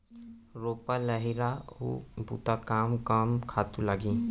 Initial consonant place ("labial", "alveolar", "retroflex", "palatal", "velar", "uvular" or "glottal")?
alveolar